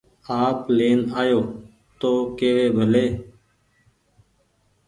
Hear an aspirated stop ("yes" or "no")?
no